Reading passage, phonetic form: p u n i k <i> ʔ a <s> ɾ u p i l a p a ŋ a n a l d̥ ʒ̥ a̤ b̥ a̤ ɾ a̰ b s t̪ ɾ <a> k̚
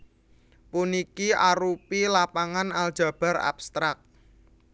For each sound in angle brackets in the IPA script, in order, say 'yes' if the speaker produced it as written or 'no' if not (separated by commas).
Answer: yes, no, yes